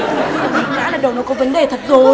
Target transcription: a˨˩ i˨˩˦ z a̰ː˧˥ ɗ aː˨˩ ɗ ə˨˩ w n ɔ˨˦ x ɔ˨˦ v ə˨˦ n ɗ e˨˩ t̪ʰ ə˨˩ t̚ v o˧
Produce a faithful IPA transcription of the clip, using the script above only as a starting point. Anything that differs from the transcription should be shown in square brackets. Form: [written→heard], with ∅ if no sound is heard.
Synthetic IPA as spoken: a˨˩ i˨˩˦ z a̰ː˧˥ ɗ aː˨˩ ɗ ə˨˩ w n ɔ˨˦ [x→k] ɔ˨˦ v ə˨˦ n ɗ e˨˩ t̪ʰ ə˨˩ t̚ [v→z] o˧